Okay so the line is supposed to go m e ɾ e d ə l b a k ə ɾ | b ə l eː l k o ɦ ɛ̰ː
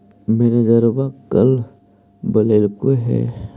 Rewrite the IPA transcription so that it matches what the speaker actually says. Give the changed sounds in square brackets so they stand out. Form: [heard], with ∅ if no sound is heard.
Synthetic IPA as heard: m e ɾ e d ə [ɾ] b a k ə [l] | b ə l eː l k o ɦ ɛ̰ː